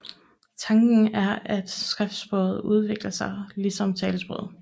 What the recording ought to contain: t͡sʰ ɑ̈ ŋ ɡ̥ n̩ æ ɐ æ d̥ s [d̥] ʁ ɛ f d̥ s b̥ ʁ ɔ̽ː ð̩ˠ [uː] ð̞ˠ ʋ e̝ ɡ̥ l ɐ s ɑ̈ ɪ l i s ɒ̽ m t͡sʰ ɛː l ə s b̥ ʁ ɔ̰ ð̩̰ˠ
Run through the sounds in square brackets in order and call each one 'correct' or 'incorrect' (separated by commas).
incorrect, incorrect